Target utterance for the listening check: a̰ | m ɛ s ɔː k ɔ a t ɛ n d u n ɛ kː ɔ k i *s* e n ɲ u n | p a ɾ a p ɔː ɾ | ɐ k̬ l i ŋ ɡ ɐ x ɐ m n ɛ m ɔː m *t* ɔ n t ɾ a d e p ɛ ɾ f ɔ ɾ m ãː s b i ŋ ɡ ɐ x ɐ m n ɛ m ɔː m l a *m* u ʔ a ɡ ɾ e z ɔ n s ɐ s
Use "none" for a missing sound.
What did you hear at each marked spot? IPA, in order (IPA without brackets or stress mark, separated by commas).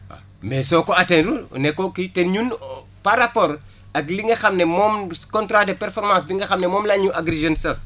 t, k, ɲ